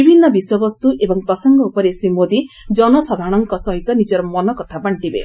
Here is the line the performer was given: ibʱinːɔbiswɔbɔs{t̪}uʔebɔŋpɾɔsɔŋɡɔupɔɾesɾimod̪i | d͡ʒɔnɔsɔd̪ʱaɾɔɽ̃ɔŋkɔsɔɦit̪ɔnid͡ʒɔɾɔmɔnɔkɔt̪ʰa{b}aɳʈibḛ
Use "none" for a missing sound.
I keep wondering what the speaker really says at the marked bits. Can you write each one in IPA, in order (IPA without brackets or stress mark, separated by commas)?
t̪, b